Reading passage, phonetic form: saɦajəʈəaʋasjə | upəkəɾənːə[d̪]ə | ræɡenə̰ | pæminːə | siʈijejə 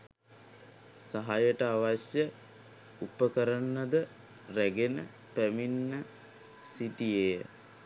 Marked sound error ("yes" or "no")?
no